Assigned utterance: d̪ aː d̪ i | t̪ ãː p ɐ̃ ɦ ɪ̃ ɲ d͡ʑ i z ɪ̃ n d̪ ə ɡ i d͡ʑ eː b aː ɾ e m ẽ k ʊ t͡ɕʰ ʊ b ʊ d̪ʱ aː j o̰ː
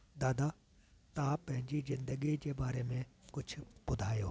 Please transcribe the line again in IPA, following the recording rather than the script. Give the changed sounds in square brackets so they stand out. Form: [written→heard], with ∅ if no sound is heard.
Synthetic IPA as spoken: d̪ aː d̪ [i→a] | t̪ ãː p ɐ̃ ɦ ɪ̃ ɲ d͡ʑ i z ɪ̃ n d̪ ə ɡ i d͡ʑ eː b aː ɾ e m ẽ k ʊ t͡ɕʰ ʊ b ʊ d̪ʱ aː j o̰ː